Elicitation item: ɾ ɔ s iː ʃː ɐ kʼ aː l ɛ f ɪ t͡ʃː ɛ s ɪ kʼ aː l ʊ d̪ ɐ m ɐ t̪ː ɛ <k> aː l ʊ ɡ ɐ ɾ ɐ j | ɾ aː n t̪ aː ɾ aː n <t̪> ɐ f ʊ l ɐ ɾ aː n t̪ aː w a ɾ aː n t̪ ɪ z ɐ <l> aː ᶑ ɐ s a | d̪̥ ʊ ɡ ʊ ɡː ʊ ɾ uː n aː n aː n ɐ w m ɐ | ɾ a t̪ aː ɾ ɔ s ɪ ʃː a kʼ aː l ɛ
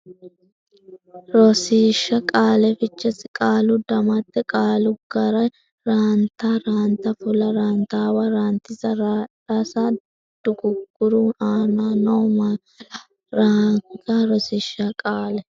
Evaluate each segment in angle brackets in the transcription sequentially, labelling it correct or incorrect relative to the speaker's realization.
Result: incorrect: kʼ, correct, incorrect: ɾ

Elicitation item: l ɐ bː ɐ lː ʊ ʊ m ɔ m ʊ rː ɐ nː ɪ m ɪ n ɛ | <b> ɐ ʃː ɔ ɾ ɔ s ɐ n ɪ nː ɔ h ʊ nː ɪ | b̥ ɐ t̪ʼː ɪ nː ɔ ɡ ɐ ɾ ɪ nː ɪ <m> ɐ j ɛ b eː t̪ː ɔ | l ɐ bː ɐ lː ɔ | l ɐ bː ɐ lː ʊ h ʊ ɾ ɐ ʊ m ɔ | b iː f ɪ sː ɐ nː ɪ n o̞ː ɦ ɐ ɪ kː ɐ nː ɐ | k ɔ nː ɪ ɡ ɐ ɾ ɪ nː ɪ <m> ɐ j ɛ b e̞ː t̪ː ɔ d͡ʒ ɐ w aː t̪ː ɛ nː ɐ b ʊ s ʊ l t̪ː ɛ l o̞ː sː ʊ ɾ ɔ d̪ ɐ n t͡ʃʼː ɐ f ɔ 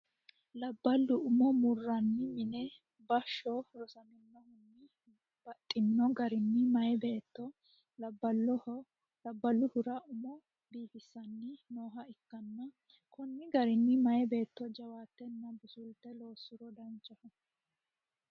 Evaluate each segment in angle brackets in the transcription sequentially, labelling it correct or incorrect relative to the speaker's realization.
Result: correct, correct, correct

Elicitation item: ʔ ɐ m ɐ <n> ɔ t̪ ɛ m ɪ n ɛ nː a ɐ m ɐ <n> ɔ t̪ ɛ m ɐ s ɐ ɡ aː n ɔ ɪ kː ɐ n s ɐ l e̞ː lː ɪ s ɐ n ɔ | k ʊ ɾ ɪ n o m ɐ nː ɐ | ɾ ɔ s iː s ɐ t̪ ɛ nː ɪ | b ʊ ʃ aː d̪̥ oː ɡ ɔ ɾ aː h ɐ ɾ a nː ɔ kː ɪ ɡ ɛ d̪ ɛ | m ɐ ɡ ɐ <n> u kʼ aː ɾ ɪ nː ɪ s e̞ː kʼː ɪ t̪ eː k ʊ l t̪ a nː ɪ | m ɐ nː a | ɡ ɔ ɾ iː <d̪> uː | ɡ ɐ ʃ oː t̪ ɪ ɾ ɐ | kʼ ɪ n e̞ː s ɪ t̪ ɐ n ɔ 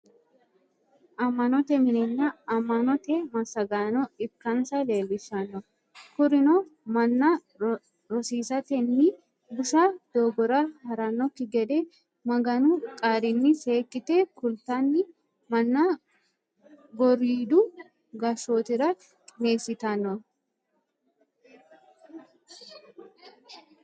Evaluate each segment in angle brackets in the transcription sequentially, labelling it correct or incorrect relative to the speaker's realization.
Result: correct, correct, correct, correct

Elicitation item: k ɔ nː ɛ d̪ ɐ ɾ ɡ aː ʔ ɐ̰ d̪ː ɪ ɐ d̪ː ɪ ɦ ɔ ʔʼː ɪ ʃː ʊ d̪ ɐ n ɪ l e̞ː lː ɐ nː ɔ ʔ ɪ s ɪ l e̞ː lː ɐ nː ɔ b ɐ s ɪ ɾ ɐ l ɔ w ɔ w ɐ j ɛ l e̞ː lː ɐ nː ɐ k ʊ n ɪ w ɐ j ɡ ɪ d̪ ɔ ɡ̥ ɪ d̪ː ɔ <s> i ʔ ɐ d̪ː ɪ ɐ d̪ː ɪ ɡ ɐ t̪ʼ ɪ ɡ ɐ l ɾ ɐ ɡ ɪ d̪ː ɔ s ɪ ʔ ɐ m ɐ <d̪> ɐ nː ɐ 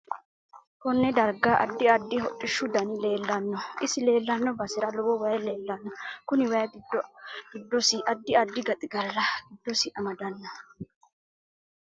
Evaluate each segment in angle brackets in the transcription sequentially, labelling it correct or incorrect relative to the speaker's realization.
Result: correct, correct

